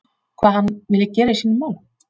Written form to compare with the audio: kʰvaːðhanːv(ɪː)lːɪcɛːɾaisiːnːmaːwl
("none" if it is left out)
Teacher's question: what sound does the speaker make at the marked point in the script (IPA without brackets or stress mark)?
ɪ